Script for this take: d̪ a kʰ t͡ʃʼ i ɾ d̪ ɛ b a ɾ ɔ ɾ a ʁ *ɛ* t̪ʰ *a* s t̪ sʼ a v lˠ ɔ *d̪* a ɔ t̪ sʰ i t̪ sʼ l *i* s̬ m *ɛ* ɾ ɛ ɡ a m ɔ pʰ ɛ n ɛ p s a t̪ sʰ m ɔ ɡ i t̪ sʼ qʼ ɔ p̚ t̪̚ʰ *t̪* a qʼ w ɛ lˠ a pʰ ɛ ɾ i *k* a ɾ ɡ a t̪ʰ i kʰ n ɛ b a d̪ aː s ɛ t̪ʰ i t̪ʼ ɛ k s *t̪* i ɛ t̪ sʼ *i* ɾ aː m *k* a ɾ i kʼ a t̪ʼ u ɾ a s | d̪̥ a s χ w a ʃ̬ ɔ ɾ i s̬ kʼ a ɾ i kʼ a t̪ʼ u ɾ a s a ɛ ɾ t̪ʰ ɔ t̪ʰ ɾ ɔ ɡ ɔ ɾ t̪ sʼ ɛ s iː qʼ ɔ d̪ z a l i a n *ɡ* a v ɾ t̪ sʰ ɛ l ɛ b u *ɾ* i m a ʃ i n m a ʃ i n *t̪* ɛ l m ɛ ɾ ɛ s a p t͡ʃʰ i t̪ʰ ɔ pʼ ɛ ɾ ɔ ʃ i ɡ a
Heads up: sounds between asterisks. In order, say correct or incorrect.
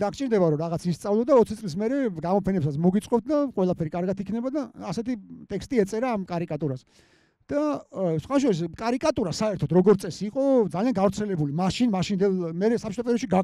incorrect: a, incorrect: i, correct, correct, correct, incorrect: d̪, incorrect: kʼ, incorrect: t̪ʼ, incorrect: ɛ, incorrect: kʼ, correct, incorrect: l, incorrect: d̪

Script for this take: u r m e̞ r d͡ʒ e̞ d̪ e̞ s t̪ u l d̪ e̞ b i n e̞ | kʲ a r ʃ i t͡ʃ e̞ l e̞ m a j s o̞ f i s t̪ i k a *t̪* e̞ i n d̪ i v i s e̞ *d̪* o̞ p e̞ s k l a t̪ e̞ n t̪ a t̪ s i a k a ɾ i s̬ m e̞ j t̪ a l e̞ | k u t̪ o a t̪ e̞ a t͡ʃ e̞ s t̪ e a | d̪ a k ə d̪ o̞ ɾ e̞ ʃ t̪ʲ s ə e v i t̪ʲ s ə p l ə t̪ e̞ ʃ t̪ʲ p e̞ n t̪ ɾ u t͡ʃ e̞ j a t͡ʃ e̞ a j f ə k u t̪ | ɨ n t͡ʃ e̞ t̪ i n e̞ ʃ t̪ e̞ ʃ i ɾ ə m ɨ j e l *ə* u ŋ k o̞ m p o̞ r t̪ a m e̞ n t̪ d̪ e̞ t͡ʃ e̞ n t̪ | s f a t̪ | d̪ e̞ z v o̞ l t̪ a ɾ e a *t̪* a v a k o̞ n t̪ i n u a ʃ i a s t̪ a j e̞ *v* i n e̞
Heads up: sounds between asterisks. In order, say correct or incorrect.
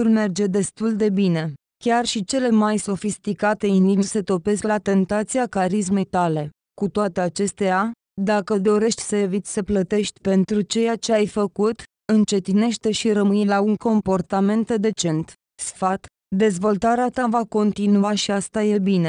correct, incorrect: t̪, incorrect: a, correct, incorrect: b

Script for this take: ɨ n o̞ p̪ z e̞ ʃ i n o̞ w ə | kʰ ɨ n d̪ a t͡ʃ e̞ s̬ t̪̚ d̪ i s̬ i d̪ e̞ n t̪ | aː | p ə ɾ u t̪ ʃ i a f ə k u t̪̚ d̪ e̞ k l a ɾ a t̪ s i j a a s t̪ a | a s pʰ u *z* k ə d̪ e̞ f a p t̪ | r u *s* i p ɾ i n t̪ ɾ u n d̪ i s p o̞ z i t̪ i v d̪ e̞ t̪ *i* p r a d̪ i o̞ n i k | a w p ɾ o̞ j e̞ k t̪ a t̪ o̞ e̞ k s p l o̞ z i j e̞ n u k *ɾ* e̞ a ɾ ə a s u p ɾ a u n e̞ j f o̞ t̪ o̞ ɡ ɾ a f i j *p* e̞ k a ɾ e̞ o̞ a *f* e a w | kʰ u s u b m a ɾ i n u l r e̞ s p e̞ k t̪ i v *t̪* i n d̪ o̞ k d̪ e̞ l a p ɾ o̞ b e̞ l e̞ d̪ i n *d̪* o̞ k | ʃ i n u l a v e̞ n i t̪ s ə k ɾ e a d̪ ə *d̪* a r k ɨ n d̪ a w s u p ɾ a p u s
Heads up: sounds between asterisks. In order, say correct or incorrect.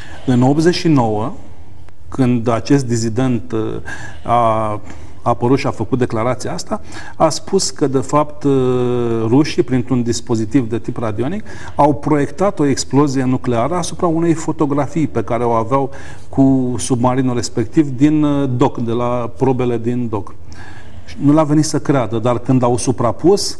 incorrect: s, incorrect: ʃ, correct, incorrect: l, correct, incorrect: v, incorrect: d̪, correct, correct

